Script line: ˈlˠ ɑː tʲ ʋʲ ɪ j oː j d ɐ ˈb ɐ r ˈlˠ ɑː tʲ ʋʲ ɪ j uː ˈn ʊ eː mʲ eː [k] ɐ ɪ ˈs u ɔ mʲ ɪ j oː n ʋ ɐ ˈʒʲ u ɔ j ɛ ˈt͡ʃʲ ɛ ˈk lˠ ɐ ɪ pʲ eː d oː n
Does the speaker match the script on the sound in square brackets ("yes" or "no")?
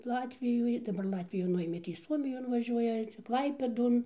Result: no